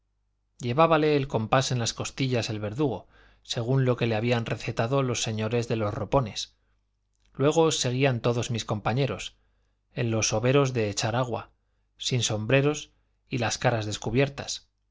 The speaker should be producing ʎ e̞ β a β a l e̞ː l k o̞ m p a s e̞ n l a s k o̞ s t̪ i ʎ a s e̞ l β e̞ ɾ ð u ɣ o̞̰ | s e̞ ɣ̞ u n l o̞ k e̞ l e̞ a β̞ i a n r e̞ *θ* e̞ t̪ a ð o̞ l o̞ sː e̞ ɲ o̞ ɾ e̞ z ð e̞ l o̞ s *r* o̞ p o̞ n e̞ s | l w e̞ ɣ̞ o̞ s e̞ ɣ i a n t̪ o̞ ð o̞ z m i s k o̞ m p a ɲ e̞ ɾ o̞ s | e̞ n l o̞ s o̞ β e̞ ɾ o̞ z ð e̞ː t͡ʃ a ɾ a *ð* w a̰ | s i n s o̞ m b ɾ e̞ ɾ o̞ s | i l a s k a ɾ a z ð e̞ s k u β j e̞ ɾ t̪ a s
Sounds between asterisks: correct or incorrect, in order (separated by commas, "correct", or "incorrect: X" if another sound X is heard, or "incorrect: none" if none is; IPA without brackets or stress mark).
correct, correct, incorrect: ɣ